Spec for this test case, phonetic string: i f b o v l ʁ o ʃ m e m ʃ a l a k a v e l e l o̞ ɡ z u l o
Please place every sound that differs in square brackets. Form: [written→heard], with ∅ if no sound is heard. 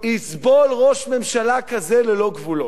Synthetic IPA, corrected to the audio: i [f→s] b o [v→∅] l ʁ o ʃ m e m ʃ a l a k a [v→z] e l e l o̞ ɡ [z→v] u l o